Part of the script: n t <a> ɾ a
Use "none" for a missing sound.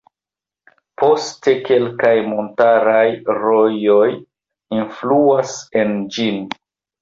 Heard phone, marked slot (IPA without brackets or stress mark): a